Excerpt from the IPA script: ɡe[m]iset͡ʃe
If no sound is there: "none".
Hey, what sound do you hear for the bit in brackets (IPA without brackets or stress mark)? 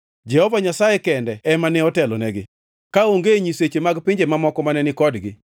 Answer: ɲ